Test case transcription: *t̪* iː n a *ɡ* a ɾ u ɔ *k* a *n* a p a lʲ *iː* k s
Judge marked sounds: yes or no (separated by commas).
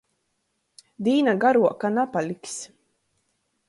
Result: no, yes, yes, yes, no